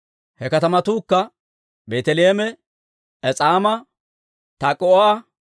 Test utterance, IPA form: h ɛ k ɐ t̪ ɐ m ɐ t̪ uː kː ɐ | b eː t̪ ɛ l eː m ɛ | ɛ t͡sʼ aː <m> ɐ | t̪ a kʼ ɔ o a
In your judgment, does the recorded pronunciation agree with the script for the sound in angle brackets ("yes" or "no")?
yes